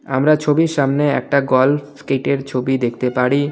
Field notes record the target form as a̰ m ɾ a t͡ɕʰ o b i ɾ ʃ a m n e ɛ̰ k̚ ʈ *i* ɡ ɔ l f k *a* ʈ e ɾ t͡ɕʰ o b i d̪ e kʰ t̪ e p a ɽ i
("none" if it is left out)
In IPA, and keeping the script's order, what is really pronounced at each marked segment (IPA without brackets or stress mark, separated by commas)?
a, e